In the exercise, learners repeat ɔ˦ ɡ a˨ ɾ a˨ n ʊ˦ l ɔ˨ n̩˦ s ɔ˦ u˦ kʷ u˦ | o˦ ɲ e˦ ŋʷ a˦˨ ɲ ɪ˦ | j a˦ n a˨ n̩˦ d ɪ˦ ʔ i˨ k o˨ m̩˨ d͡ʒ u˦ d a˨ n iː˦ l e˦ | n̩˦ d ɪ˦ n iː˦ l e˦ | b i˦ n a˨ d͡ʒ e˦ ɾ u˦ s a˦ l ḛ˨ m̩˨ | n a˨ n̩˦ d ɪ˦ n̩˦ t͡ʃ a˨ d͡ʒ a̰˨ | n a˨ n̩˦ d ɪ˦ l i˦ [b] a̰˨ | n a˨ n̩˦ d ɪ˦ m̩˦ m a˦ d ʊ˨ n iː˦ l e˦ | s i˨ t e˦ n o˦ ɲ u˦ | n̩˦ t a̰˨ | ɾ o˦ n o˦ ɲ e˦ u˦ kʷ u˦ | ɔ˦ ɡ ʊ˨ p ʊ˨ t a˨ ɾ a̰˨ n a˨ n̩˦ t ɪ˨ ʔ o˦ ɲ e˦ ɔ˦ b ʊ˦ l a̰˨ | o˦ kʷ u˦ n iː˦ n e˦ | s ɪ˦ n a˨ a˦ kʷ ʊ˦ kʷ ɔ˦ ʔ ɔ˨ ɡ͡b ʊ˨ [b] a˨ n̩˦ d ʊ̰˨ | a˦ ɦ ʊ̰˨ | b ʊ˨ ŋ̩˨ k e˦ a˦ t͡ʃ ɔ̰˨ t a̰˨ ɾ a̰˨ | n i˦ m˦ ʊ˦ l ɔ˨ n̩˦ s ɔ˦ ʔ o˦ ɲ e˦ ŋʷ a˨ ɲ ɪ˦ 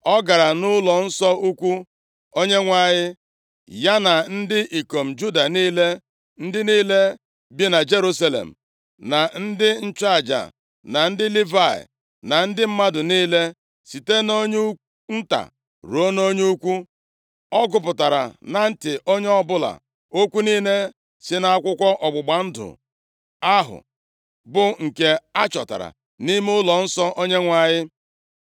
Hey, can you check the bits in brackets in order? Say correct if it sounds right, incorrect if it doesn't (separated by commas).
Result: incorrect, incorrect